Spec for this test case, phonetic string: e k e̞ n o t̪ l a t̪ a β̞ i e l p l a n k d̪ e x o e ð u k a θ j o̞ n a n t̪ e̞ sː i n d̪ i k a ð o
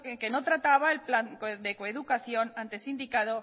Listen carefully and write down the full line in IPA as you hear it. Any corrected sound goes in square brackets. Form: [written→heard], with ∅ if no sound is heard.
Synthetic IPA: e k e̞ n o t̪ [l→ɾ] a t̪ a β̞ [i→a] e l p l a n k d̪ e [x→k] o e ð u k a θ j o̞ n a n t̪ e̞ [sː→s] i n d̪ i k a ð o

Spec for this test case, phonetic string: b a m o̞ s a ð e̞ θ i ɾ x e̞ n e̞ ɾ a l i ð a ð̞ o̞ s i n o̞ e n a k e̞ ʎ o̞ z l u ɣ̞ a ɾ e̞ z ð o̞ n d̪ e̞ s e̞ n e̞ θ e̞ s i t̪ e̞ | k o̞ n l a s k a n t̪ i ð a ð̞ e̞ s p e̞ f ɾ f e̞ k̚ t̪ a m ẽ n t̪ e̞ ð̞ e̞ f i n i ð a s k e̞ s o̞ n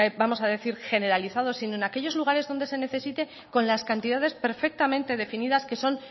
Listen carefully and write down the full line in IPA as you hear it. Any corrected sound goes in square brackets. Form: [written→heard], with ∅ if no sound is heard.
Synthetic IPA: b a m o̞ s a ð e̞ θ i ɾ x e̞ n e̞ ɾ a l i [ð→θ] a ð̞ o̞ s i n o̞ e n a k e̞ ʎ o̞ z l u ɣ̞ a ɾ e̞ z ð o̞ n d̪ e̞ s e̞ n e̞ θ e̞ s i t̪ e̞ | k o̞ n l a s k a n t̪ i ð a ð̞ e̞ s p e̞ [f→∅] ɾ f e̞ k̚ t̪ a m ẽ n t̪ e̞ ð̞ e̞ f i n i ð a s k e̞ s o̞ n

